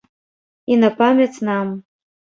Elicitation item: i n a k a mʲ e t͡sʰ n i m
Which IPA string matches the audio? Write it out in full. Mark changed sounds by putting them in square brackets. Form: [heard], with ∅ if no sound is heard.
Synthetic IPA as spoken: i n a [p] a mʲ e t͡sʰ n [a] m